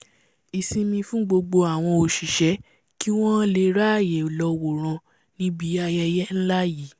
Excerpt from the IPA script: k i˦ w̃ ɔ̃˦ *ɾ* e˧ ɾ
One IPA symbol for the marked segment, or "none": l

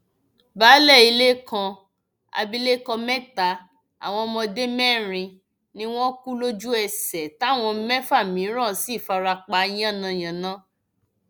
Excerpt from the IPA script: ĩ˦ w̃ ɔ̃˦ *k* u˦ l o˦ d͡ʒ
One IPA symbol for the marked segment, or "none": k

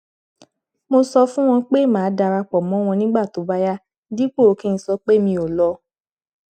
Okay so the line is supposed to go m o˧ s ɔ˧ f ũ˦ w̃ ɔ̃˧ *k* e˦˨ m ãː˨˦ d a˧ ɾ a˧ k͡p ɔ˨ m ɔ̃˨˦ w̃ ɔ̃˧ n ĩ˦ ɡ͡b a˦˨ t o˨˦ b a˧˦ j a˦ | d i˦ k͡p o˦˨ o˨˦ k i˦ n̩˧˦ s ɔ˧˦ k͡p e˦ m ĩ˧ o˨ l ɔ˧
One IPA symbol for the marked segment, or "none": k͡p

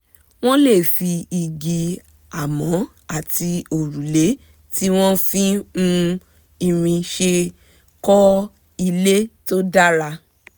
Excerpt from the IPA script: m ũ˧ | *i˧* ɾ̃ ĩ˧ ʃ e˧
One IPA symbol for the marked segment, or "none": i˧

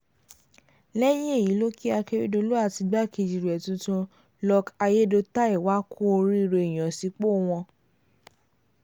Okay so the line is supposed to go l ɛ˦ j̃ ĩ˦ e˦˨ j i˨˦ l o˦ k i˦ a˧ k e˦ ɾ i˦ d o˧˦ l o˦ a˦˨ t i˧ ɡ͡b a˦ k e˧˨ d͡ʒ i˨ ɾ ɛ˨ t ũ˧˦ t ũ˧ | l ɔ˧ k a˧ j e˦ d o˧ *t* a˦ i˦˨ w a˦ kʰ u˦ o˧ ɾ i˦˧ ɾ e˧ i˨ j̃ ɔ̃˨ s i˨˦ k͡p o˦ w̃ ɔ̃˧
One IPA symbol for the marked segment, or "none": t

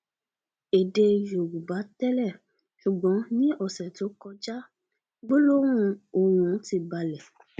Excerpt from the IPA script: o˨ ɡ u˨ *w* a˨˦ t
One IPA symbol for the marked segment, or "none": b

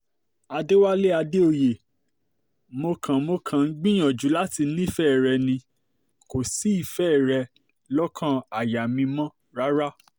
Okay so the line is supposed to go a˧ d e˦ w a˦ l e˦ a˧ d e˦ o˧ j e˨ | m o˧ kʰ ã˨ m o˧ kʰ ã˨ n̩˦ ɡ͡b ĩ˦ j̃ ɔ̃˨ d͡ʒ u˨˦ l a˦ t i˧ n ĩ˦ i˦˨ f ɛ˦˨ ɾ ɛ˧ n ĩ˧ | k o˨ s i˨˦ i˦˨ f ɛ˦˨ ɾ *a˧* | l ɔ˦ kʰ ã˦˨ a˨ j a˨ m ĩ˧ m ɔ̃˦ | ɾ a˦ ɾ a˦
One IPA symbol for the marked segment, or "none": ɛ˧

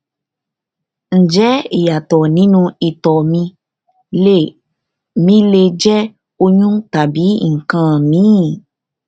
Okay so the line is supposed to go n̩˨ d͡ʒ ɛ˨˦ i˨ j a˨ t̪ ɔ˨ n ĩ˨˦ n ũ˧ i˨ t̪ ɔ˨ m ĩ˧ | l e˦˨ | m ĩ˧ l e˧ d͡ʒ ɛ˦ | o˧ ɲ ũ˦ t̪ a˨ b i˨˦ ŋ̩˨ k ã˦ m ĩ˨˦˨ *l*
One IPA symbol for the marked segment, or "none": none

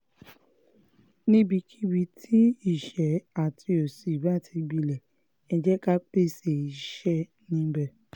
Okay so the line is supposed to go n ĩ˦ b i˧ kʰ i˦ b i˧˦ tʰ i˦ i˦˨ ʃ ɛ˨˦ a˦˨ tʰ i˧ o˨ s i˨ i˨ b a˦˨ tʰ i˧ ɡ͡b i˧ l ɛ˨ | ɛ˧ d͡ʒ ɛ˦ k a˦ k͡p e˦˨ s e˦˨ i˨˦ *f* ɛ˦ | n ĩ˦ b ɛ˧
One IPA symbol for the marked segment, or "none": ʃ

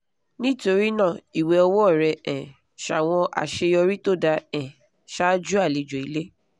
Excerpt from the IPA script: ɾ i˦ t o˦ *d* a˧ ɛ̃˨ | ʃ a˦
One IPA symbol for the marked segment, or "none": d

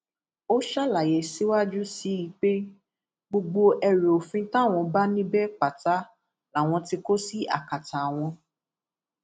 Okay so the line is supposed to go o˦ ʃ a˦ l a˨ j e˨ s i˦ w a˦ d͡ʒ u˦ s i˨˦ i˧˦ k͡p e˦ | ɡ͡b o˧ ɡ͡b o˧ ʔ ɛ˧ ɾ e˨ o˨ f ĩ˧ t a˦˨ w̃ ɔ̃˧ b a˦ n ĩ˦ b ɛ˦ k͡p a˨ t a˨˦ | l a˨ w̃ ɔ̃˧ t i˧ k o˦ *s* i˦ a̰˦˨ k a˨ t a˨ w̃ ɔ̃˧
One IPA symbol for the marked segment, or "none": s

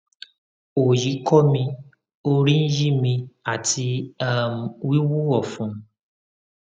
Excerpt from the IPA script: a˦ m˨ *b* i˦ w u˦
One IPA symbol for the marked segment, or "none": w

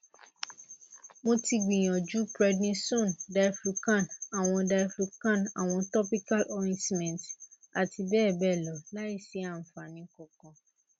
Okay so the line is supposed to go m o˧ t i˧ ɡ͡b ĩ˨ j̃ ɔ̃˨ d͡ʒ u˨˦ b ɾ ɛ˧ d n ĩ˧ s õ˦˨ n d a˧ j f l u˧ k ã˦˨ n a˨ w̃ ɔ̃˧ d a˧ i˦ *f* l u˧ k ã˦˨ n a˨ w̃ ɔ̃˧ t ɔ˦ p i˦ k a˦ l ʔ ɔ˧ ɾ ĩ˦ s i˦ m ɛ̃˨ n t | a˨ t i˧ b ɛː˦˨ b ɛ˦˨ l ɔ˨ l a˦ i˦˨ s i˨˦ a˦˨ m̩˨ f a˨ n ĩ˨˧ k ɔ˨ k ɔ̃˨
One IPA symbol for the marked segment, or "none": f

